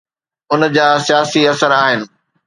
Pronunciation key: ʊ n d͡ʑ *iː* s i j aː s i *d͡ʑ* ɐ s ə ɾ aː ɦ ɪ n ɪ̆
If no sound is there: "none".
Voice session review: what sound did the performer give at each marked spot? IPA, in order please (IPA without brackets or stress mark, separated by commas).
aː, none